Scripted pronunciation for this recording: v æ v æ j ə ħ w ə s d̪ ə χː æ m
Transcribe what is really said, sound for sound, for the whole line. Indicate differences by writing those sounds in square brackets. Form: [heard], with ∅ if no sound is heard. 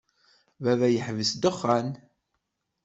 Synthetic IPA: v æ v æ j ə ħ [v] ə s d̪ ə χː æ [n]